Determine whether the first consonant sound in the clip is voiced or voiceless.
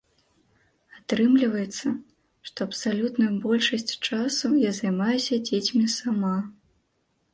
voiceless